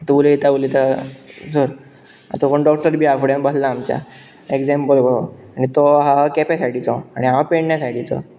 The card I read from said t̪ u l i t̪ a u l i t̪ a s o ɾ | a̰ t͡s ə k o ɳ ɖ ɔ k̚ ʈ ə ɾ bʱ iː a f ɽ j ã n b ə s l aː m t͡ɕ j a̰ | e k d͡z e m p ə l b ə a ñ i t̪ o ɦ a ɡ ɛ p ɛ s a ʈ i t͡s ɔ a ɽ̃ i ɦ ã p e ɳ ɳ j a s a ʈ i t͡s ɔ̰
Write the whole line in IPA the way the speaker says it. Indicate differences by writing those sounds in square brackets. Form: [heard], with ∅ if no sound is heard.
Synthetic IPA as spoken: t̪ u l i t̪ a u l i t̪ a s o ɾ | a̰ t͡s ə k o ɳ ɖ ɔ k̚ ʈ ə ɾ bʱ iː a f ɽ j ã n b ə s l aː m t͡ɕ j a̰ | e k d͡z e m p ə l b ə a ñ i t̪ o ɦ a [k] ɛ p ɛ s a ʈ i t͡s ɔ a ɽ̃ i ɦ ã p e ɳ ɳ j a s a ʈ i t͡s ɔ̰